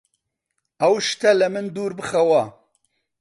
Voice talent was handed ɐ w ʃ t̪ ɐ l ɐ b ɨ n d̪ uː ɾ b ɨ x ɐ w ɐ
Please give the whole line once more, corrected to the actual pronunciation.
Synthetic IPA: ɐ w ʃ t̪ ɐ l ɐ m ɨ n d̪ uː ɾ b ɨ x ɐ w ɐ